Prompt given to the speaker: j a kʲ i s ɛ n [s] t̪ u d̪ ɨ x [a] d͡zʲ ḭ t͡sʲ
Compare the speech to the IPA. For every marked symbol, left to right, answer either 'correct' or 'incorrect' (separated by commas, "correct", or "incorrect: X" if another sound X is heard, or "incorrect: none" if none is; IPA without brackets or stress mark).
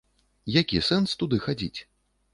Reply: correct, correct